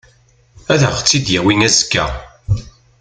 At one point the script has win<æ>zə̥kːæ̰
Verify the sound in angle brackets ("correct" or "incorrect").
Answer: correct